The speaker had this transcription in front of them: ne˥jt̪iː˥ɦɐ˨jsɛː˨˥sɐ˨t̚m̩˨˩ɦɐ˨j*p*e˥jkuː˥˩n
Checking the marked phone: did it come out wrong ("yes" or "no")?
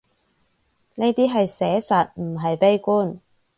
no